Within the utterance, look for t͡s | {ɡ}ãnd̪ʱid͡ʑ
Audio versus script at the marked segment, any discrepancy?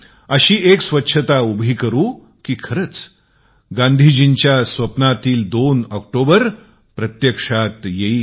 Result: no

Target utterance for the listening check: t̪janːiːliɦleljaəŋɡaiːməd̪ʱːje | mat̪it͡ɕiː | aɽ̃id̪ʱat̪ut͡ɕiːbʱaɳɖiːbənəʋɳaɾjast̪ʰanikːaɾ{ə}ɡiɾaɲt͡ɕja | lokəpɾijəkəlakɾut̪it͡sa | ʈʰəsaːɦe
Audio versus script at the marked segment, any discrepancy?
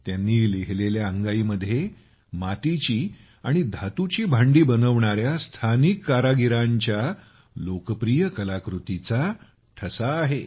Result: yes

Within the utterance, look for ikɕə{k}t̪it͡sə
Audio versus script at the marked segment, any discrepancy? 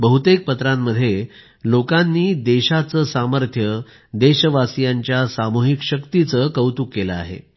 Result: no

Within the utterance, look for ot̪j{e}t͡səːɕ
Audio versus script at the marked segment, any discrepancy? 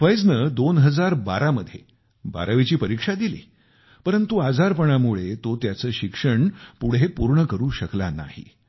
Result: yes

